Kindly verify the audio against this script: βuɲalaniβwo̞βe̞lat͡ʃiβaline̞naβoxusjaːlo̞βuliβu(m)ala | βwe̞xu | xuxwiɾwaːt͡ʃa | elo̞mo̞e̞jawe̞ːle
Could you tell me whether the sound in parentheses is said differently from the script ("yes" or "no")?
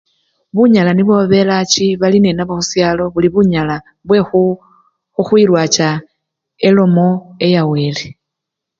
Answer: yes